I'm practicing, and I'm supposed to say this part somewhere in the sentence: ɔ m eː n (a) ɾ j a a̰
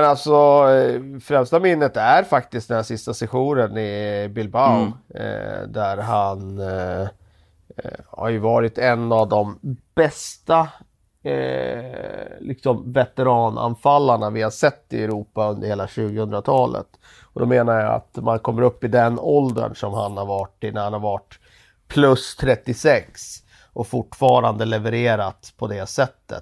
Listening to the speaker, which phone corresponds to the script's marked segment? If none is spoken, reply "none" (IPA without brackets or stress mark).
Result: a